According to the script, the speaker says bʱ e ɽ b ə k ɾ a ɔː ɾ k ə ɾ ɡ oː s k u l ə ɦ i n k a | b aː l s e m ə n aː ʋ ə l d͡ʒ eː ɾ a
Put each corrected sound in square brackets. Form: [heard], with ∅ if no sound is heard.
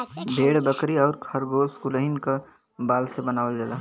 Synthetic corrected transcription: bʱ e ɽ b ə k ɾ [i] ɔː ɾ [kʰ] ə ɾ ɡ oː s k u l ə ɦ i n k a | b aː l s e [b] ə n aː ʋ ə l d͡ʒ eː [l] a